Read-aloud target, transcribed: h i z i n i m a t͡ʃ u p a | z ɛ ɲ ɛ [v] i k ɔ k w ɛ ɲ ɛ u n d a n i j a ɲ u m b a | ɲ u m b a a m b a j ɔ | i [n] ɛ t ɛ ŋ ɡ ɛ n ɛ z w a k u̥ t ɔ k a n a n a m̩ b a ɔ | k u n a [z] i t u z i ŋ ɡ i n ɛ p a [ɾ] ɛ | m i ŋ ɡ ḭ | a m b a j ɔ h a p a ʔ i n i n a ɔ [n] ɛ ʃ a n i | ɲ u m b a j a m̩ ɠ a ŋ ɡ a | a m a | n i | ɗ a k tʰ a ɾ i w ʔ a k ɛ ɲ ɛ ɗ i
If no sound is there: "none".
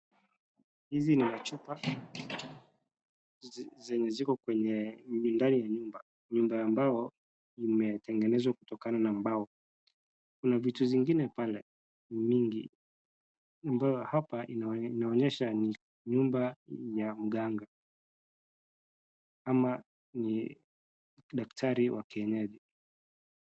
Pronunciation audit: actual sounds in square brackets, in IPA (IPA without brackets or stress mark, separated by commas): z, m, v, l, ɲ